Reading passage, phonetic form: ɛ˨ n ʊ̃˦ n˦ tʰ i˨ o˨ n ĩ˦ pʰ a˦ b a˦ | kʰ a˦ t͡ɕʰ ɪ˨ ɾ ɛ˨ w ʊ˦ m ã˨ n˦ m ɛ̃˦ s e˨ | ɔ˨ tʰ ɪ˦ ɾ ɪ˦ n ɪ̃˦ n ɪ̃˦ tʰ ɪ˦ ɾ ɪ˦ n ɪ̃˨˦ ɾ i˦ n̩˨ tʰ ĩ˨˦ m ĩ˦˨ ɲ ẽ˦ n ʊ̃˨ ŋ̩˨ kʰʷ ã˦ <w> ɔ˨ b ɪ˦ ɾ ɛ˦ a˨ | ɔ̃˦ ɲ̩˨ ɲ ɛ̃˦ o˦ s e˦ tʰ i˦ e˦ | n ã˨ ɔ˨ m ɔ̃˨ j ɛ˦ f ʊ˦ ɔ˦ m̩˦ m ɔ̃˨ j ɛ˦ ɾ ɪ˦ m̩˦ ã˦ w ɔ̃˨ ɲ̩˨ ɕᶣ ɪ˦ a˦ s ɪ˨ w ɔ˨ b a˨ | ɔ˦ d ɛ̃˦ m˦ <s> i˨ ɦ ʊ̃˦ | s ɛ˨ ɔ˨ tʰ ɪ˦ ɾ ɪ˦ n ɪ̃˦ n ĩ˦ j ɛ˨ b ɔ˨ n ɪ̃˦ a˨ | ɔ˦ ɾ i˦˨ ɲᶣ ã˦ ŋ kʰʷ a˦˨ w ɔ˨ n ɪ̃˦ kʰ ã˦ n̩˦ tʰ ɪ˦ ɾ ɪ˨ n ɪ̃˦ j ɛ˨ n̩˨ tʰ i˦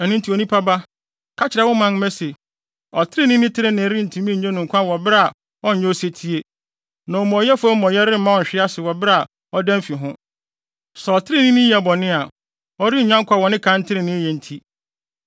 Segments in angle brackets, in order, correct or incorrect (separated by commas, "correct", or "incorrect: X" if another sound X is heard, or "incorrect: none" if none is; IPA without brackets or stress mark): correct, incorrect: f